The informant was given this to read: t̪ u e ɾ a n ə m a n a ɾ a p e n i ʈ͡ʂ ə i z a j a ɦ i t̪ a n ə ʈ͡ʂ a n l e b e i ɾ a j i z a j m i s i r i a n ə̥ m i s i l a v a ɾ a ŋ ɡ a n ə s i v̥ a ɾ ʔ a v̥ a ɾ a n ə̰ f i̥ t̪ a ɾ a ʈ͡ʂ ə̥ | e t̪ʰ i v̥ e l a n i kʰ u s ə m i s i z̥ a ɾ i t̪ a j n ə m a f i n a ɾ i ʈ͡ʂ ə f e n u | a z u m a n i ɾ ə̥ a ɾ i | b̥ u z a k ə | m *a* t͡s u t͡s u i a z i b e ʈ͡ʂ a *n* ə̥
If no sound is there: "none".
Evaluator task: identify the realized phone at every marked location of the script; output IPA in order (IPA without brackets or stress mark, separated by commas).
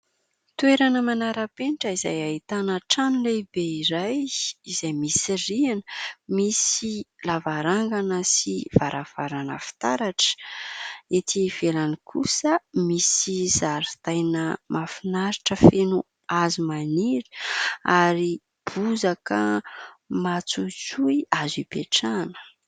a, n